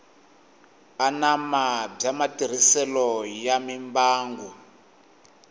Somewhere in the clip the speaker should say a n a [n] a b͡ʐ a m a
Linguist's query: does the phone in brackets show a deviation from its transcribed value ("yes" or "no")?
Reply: yes